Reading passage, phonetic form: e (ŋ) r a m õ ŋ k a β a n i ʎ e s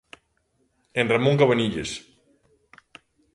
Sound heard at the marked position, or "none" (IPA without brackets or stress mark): n